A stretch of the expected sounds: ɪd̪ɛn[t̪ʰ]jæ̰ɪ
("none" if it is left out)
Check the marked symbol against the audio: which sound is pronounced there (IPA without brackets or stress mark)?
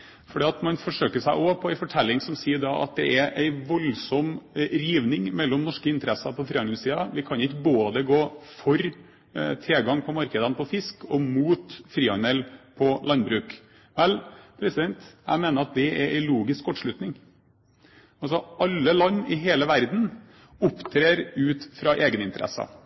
t̪